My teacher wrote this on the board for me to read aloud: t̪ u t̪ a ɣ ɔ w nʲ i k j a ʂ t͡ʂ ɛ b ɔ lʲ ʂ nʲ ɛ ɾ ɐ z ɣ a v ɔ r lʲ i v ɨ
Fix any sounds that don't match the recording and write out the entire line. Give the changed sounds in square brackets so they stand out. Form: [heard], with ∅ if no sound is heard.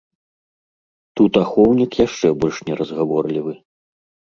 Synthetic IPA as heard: t̪ u t̪ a [x] ɔ w nʲ i k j a ʂ t͡ʂ ɛ b ɔ lʲ ʂ nʲ ɛ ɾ ɐ z ɣ a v ɔ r lʲ i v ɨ